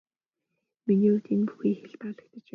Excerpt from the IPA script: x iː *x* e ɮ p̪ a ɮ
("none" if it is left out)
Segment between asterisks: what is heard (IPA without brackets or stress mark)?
x